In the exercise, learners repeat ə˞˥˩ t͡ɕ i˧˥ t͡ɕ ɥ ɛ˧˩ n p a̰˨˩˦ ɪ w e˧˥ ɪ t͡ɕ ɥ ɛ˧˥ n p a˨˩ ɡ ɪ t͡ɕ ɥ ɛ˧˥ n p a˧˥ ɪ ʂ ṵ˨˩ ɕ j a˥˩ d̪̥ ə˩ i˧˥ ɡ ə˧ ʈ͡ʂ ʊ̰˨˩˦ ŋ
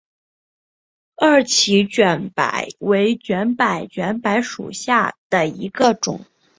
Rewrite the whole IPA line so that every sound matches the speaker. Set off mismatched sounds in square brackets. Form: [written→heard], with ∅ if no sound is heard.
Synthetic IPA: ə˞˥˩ [t͡ɕ→t͡ɕʰ] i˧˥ t͡ɕ ɥ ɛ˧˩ n p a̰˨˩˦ ɪ w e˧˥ ɪ t͡ɕ ɥ ɛ˧˥ n p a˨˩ [ɡ→∅] ɪ t͡ɕ ɥ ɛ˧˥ n p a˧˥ ɪ ʂ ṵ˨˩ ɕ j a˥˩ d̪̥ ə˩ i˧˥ ɡ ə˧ ʈ͡ʂ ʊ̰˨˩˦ ŋ